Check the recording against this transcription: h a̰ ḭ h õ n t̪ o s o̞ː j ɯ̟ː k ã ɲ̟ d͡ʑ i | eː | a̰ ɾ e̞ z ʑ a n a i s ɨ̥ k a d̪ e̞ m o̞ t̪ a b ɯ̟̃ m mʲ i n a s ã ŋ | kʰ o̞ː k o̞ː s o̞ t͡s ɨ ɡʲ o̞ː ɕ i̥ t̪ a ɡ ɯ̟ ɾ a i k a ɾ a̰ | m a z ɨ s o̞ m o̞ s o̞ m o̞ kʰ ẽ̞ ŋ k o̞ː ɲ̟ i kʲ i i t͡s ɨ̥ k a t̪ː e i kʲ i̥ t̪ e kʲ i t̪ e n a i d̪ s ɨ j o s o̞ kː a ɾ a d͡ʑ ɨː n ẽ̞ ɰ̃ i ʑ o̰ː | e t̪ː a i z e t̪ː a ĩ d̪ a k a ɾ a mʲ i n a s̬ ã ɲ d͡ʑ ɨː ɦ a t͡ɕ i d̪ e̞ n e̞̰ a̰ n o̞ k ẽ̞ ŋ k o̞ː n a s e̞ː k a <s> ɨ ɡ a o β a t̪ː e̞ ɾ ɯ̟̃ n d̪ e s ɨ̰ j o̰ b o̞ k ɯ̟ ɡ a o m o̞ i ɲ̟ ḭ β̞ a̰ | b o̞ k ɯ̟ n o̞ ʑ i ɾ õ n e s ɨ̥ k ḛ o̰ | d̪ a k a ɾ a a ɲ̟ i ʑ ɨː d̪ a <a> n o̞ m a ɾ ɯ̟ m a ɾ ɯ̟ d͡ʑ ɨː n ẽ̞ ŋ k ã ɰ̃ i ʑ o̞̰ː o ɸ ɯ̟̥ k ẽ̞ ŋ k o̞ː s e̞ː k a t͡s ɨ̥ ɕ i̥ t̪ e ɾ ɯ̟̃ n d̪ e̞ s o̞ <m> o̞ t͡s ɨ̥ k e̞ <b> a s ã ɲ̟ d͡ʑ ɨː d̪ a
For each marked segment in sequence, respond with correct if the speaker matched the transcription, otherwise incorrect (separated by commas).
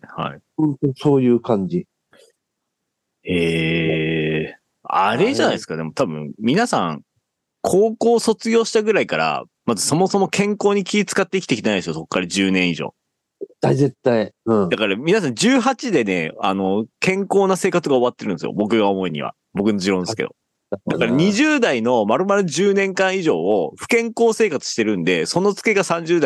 incorrect, incorrect, incorrect, incorrect